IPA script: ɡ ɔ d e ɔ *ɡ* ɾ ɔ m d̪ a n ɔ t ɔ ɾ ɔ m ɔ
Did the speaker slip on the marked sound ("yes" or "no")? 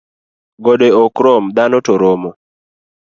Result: yes